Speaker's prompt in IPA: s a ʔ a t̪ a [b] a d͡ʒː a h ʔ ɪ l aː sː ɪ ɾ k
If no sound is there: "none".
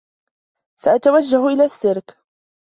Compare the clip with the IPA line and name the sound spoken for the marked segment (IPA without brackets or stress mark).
w